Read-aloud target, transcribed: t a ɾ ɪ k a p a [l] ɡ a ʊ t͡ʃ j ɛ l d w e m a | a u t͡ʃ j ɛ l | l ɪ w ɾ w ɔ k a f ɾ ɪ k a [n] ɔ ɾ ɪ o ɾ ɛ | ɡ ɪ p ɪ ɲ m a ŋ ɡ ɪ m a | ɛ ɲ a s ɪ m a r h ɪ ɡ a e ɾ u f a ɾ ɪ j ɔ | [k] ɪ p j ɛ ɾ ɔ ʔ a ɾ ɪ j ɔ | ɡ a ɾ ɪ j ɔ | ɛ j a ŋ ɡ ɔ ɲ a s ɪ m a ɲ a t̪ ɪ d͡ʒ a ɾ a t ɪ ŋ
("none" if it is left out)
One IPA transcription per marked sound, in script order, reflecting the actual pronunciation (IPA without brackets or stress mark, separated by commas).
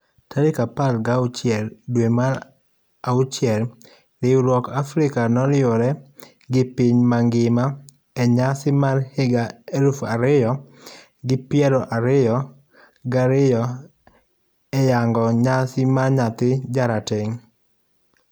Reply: l, n, ɡ